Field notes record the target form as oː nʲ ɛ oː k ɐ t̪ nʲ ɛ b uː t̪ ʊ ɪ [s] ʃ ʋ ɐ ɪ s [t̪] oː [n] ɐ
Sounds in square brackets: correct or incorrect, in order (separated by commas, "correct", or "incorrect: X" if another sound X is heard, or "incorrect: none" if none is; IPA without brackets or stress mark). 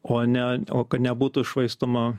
incorrect: none, correct, incorrect: m